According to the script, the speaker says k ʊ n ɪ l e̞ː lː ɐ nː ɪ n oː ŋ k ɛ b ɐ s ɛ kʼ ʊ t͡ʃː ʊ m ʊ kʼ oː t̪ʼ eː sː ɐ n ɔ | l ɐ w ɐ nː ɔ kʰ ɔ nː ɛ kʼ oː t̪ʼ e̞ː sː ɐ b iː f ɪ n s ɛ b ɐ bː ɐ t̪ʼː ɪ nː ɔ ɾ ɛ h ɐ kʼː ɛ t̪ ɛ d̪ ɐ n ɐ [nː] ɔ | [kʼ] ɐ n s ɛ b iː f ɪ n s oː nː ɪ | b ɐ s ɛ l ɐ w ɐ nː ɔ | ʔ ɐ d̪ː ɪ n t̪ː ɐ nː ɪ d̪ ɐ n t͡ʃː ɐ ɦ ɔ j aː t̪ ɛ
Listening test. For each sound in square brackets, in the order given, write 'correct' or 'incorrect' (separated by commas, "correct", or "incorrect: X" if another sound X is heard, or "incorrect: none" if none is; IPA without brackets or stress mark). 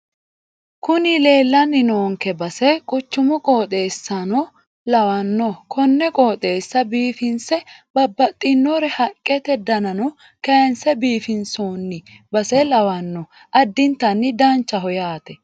incorrect: n, incorrect: k